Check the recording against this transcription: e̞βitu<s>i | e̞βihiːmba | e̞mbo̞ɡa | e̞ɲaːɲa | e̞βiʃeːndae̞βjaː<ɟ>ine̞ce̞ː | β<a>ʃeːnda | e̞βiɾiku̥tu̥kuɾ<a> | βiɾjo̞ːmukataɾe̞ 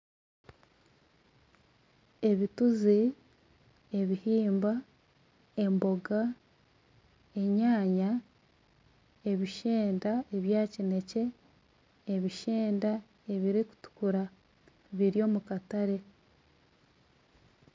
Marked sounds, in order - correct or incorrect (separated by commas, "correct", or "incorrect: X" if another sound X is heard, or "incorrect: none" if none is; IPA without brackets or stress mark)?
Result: incorrect: z, incorrect: c, incorrect: i, correct